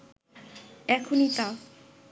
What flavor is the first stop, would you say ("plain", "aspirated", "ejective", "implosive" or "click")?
aspirated